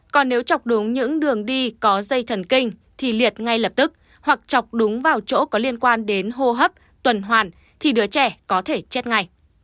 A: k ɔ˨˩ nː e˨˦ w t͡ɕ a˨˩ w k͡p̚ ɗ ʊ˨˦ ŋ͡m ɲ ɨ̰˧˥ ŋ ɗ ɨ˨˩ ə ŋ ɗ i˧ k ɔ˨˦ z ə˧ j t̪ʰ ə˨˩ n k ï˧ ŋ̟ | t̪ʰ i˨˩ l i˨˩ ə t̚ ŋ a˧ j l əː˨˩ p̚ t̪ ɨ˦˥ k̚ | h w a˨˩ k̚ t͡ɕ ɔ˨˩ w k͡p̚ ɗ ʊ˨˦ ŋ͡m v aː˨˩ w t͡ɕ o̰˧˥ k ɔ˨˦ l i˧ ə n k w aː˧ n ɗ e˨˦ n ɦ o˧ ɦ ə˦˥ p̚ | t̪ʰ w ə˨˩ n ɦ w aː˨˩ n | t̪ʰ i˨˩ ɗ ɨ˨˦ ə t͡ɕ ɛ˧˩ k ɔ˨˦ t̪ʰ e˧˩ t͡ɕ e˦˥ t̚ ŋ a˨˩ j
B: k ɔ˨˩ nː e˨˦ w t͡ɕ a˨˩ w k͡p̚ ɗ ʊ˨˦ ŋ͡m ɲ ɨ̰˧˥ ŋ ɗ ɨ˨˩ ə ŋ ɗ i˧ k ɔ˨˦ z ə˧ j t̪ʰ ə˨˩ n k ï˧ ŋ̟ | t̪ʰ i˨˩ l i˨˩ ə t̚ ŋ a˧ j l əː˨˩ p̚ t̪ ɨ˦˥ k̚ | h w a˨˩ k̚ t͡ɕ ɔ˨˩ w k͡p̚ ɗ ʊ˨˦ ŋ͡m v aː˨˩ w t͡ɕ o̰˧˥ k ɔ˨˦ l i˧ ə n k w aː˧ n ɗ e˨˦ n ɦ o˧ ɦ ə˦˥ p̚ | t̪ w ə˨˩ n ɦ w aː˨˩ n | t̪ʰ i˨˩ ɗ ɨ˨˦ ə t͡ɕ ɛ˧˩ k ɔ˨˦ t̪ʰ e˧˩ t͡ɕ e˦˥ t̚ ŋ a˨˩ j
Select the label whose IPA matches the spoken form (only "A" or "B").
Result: B